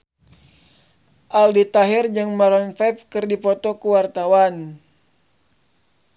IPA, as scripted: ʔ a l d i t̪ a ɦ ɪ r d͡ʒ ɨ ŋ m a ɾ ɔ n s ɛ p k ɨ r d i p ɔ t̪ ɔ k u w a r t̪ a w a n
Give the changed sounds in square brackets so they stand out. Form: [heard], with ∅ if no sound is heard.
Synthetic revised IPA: ʔ a l d i t̪ a ɦ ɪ r d͡ʒ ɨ ŋ m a ɾ ɔ n [f] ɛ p k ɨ r d i p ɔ t̪ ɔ k u w a r t̪ a w a n